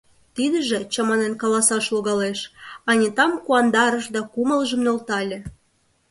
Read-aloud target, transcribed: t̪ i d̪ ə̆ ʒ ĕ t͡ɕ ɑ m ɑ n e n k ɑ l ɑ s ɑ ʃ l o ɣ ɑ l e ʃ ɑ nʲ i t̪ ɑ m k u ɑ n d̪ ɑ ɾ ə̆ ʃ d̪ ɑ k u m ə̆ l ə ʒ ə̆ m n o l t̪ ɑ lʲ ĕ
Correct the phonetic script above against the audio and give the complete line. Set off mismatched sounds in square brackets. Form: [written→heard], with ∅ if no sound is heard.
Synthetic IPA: t̪ i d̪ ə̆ ʒ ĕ t͡ɕ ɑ m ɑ n e n k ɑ l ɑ s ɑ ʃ l o ɣ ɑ l e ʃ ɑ nʲ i t̪ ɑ m k u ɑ n d̪ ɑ ɾ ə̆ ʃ d̪ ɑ k u m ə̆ l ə ʒ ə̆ m n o l t̪ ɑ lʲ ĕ